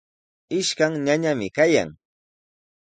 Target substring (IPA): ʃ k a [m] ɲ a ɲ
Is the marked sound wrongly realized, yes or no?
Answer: yes